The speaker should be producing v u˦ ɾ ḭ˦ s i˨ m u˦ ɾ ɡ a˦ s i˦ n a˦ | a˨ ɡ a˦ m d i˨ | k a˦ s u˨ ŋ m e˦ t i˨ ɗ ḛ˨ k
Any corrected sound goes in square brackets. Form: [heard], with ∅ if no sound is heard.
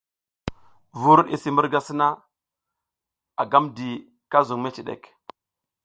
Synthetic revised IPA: v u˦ ɾ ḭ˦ s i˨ m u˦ ɾ ɡ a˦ s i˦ n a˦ | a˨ ɡ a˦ m d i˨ | k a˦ [z] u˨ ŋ m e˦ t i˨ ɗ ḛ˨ k